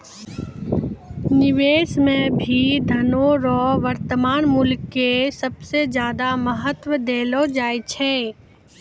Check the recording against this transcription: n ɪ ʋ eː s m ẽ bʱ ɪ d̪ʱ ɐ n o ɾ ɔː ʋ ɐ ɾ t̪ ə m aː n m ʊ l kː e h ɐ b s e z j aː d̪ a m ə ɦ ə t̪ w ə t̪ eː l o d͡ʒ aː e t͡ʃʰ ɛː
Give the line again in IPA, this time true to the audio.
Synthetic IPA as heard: n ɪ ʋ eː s m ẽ bʱ i d̪ʱ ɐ n o ɾ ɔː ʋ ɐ ɾ t̪ ə m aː n m ʊ l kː e s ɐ b s e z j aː d̪ a m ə ɦ ə t̪ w ə d̪ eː l o d͡ʒ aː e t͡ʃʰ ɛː